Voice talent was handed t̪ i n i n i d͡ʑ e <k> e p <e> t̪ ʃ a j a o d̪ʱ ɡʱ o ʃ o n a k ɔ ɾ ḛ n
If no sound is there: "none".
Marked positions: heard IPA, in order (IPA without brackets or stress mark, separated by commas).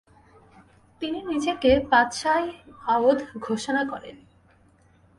k, a